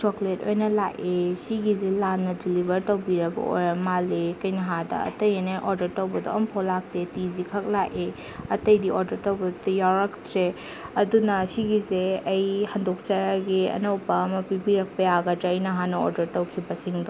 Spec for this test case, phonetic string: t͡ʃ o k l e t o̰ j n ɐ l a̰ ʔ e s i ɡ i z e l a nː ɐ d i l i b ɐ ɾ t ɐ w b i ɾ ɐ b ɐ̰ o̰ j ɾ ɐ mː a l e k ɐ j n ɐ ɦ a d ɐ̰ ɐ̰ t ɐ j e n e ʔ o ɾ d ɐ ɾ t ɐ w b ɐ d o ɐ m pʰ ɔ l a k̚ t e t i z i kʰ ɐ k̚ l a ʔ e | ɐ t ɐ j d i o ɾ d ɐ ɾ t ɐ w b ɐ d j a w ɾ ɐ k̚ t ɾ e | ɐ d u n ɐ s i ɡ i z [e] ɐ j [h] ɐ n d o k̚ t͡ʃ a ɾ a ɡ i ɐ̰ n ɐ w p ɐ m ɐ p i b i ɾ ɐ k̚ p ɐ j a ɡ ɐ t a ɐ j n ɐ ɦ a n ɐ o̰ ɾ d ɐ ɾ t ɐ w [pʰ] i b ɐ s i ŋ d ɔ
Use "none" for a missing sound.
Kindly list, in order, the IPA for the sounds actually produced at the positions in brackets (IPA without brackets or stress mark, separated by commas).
e, h, kʰ